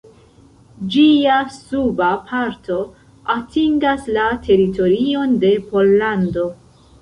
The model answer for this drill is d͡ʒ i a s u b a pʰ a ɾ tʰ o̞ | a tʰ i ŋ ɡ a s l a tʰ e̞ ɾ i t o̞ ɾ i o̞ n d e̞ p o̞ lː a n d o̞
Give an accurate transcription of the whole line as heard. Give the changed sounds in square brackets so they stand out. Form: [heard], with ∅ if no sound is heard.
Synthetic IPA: d͡ʒ i a s u b a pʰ a ɾ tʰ o̞ | a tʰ i ŋ ɡ a s l a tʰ e̞ ɾ i t o̞ ɾ i o̞ n d e̞ p o̞ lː a n d o̞

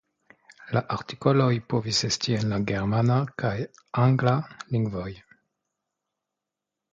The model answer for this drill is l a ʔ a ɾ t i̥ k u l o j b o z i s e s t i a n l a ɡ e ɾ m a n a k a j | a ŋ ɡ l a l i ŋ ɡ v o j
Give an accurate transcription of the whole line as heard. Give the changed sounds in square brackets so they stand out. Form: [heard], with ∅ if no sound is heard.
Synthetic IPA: l a ʔ a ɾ t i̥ k [o] l o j [p] o [v] i s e s t i [e] n l a ɡ e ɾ m a n a k a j | a ŋ ɡ l a l i ŋ ɡ v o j

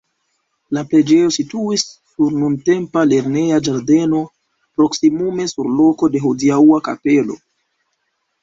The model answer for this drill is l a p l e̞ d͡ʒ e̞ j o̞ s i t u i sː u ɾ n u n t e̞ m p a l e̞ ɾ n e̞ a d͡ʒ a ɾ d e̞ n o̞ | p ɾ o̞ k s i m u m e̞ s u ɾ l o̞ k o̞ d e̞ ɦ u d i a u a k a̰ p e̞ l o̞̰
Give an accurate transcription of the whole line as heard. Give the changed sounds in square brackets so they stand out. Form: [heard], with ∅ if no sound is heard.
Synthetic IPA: l a p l e̞ d͡ʒ e̞ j o̞ s i t u i sː u ɾ n u n t e̞ m p a l e̞ ɾ n e̞ a d͡ʒ a ɾ d e̞ n o̞ | p ɾ o̞ k s i m u m e̞ s u ɾ l o̞ k o̞ d e̞ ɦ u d i a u a k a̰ p e̞ l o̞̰

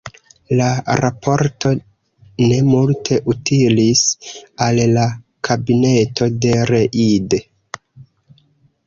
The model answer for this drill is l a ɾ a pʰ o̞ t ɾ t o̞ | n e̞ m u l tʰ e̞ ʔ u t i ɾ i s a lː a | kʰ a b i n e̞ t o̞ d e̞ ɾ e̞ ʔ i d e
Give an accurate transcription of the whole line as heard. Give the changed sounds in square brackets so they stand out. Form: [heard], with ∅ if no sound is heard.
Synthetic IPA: l a ɾ a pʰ o̞ [∅] ɾ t o̞ | n e̞ m u l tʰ e̞ ʔ u t i [l] i s a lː a | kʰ a b i n e̞ t o̞ d e̞ ɾ e̞ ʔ i d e

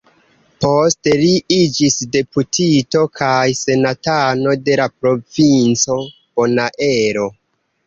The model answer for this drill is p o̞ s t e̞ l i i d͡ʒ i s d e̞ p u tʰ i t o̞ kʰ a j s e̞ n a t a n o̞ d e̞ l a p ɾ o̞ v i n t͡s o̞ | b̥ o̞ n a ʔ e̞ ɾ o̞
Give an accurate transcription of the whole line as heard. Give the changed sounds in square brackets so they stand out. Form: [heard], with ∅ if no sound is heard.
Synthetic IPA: p o̞ s t e̞ l i i d͡ʒ i s d e̞ p u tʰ i t o̞ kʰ a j s e̞ n a t a n o̞ d e̞ l a p ɾ o̞ v i n t͡s o̞ | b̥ o̞ n a ʔ e̞ ɾ o̞

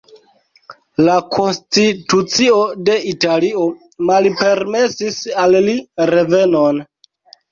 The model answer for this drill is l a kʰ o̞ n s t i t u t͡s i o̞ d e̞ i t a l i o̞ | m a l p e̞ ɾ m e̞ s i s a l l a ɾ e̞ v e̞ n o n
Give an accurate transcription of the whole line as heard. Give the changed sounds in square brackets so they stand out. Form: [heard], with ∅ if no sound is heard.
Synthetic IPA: l a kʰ o̞ n s t i t u t͡s i o̞ d e̞ i t a l i o̞ | m a l p e̞ ɾ m e̞ s i s a l l [i] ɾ e̞ v e̞ n o n

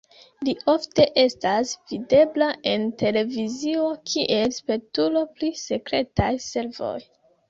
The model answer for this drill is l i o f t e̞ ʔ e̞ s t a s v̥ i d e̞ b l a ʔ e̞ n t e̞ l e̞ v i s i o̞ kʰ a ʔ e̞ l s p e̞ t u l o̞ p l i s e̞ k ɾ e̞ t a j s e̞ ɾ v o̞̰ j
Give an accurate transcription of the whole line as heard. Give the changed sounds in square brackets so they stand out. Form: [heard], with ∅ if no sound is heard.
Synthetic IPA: l i o f t e̞ ʔ e̞ s t a s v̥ i d e̞ b l a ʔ e̞ n t e̞ l e̞ v i [z] i o̞ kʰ [i] ʔ e̞ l s p e̞ t u l o̞ p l i s e̞ k ɾ e̞ t a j s e̞ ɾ v o̞̰ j

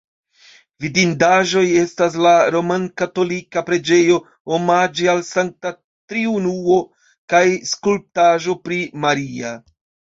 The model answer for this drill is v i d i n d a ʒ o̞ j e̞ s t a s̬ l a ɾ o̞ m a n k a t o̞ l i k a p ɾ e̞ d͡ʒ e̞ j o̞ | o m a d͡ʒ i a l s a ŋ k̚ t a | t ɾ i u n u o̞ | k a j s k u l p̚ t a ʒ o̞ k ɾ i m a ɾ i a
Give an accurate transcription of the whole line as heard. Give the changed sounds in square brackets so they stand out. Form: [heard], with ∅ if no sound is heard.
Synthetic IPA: v i d i n d a ʒ o̞ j e̞ s t a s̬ l a ɾ o̞ m a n k a t o̞ l i k a p ɾ e̞ d͡ʒ e̞ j o̞ | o m a d͡ʒ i a l s a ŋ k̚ t a | t ɾ i u n u o̞ | k a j s k u l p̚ t a ʒ o̞ [p] ɾ i m a ɾ i a

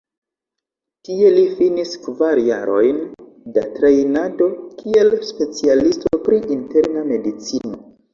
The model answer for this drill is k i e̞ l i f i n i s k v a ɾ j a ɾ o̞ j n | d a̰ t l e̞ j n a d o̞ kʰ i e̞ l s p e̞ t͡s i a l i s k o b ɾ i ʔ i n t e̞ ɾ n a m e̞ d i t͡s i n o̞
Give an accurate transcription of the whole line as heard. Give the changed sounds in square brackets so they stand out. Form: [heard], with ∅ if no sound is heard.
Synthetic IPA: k i e̞ l i f i n i s k v a ɾ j a ɾ o̞ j n | d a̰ t [ɾ] e̞ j n a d o̞ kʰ i e̞ l s p e̞ t͡s i a l i s [t] o [p] ɾ i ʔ i n t e̞ ɾ n a m e̞ d i t͡s i n o̞

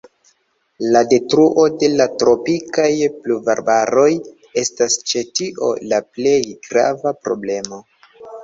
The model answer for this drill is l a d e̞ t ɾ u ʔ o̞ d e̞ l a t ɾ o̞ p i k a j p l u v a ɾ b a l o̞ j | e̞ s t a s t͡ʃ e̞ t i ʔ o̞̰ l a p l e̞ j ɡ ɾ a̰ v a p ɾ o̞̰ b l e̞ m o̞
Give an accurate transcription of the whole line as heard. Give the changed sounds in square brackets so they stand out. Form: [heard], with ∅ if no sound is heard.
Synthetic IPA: l a d e̞ t ɾ u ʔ o̞ d e̞ l a t ɾ o̞ p i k a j p l u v a ɾ b a [ɾ] o̞ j | e̞ s t a s t͡ʃ e̞ t i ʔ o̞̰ l a p l e̞ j ɡ ɾ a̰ v a p ɾ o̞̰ b l e̞ m o̞

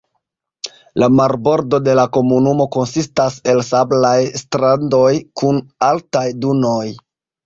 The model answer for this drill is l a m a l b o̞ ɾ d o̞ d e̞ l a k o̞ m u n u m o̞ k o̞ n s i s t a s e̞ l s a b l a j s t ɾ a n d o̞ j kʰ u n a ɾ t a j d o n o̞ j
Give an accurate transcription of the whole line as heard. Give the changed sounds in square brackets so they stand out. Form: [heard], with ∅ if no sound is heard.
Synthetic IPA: l a m a [ɾ] b o̞ ɾ d o̞ d e̞ l a k o̞ m u n u m o̞ k o̞ n s i s t a s e̞ l s a b l a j s t ɾ a n d o̞ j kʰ u n a [l] t a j d [u] n o̞ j

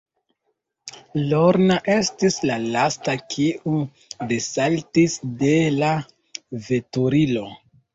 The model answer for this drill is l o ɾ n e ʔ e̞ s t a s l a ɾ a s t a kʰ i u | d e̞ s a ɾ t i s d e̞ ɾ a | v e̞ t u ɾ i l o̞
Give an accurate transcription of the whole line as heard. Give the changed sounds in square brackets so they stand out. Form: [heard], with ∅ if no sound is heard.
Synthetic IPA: l o ɾ n [a] ʔ e̞ s t [i] s l a [l] a s t a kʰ i u | d e̞ s a [l] t i s d e̞ [l] a | v e̞ t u ɾ i l o̞

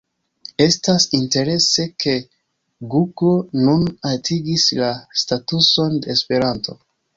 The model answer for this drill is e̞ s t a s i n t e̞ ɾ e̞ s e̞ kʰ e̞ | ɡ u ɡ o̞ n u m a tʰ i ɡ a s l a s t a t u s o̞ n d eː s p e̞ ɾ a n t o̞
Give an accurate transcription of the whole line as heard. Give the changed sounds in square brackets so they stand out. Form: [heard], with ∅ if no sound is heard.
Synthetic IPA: e̞ s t a s i n t e̞ ɾ e̞ s e̞ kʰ e̞ | ɡ u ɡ o̞ n u [n] a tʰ i ɡ [i] s l a s t a t u s o̞ n d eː s p e̞ ɾ a n t o̞

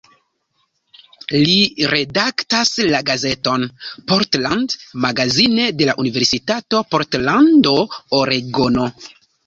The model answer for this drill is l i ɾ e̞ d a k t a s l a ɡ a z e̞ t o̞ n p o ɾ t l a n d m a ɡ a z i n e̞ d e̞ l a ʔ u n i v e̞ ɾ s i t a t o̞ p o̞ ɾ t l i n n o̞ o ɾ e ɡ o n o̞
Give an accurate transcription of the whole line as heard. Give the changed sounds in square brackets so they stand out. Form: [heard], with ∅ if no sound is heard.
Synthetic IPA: l i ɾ e̞ d a k t a s l a ɡ a z e̞ t o̞ n p o ɾ t l a n d m a ɡ a z i n e̞ d e̞ l a ʔ u n i v e̞ ɾ s i t a t o̞ p o̞ ɾ t l [a] n [d] o̞ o ɾ e ɡ o n o̞

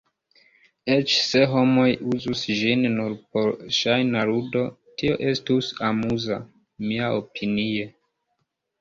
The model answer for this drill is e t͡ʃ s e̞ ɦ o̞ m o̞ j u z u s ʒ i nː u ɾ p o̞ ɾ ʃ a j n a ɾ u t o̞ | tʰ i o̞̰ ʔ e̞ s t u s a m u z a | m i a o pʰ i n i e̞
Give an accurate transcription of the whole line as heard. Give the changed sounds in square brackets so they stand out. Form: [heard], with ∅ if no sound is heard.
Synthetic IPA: e t͡ʃ s e̞ ɦ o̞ m o̞ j u z u s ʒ i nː u ɾ p o̞ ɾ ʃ a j n a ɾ u [d] o̞ | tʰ i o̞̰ ʔ e̞ s t u s a m u z a | m i a o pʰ i n i e̞

